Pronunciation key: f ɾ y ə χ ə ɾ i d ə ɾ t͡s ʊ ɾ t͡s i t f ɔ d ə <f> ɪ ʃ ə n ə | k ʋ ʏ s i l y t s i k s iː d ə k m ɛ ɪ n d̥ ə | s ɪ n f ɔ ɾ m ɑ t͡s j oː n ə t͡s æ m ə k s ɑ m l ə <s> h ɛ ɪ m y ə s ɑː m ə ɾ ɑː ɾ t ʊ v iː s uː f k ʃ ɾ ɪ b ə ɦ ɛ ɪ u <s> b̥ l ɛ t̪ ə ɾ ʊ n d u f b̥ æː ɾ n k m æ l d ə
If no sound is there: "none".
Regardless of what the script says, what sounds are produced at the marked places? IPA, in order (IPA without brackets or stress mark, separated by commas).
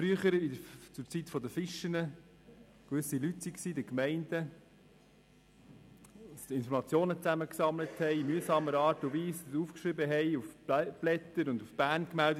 f, t, f